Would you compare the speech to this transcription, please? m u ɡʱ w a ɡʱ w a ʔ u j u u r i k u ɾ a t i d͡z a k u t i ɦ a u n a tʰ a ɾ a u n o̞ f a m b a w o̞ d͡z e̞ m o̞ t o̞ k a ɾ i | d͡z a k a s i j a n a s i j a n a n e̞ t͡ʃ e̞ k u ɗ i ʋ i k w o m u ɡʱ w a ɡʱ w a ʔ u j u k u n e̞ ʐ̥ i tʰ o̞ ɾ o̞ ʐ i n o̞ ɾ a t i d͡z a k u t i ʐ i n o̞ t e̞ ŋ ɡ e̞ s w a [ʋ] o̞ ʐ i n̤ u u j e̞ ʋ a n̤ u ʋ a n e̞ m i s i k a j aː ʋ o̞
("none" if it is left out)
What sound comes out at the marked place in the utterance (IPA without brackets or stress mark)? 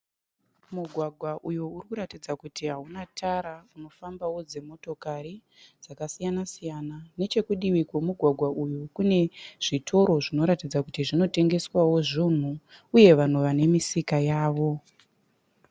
w